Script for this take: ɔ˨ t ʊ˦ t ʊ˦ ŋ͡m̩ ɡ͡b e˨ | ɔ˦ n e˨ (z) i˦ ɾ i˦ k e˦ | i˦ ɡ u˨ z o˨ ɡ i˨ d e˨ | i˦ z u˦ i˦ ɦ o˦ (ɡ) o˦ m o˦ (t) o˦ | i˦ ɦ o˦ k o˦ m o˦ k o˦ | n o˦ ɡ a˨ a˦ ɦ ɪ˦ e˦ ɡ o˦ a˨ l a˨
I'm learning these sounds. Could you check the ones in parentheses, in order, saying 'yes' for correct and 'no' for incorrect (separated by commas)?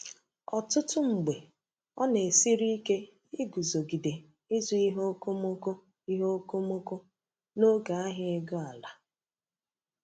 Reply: no, no, no